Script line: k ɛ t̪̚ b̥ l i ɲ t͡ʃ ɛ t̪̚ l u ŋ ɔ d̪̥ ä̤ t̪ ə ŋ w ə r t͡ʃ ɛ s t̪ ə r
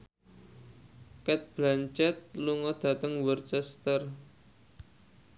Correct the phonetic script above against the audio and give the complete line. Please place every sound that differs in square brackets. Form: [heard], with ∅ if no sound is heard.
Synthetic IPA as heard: k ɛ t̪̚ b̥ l [a] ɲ t͡ʃ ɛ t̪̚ l u ŋ ɔ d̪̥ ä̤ t̪ ə ŋ w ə r t͡ʃ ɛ s t̪ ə r